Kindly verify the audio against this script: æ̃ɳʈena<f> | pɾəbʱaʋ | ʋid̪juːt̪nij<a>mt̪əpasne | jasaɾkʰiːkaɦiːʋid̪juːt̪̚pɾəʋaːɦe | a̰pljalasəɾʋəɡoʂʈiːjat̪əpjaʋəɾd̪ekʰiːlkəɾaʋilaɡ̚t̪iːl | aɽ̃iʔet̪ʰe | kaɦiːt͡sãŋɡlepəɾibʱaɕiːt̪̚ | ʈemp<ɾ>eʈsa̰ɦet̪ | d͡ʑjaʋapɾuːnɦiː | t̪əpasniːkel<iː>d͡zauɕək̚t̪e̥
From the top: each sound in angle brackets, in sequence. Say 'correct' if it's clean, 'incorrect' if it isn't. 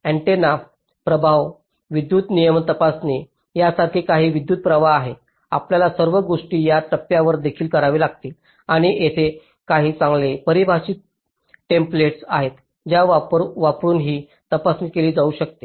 correct, incorrect: ə, incorrect: l, correct

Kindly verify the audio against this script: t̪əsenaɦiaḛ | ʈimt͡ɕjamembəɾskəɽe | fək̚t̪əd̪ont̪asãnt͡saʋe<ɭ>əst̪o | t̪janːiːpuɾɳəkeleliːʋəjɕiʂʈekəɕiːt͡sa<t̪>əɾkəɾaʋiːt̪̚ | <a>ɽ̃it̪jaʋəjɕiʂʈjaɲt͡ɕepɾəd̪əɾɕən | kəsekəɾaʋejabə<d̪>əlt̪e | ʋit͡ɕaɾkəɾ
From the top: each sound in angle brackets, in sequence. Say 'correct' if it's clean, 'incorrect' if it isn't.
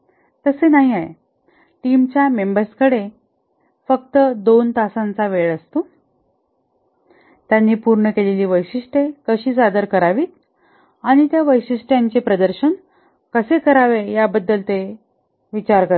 correct, incorrect: d̪, correct, incorrect: d̪ː

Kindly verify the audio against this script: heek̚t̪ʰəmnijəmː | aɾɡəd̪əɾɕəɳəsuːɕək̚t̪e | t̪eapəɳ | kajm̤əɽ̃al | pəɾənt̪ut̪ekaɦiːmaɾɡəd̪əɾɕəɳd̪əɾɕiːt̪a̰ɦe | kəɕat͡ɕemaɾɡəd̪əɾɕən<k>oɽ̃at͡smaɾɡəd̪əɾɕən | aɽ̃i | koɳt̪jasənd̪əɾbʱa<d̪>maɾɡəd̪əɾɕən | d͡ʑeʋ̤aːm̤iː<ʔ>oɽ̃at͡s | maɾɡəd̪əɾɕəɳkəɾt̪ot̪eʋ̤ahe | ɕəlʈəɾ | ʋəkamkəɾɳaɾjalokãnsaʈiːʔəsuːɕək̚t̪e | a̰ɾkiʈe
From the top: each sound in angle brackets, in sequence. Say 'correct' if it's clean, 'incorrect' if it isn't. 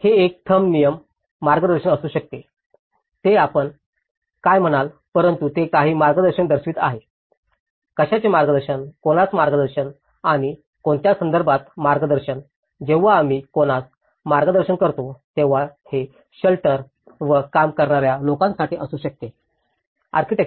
correct, incorrect: t̪, incorrect: k

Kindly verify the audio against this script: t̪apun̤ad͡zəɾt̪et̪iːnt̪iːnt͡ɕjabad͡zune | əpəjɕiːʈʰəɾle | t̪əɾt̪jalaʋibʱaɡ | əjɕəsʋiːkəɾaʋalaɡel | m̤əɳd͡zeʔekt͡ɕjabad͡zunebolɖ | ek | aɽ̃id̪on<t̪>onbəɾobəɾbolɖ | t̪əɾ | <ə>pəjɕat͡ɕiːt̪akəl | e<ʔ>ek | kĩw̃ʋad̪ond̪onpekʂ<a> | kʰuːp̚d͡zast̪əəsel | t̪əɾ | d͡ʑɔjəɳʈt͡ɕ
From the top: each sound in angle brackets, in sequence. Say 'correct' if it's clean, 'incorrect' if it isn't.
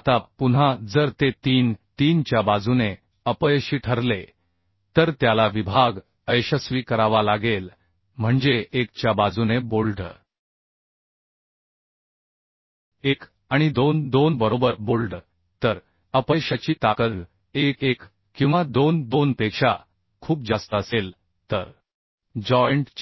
incorrect: d̪, correct, incorrect: k, correct

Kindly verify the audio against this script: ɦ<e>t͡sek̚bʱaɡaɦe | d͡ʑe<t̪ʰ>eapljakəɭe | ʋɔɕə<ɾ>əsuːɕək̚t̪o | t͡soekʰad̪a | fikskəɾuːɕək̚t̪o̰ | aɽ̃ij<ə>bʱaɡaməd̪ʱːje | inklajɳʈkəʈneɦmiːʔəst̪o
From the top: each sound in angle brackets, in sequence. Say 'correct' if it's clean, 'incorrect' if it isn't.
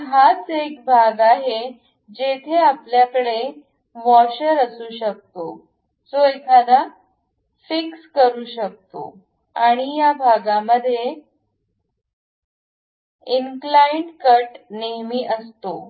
incorrect: a, correct, correct, incorrect: a

